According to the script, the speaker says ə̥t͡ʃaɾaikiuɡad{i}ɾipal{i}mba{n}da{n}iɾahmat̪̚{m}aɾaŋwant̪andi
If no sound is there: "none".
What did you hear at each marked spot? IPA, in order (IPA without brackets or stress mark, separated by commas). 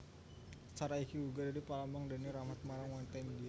a, a, ŋ, n, m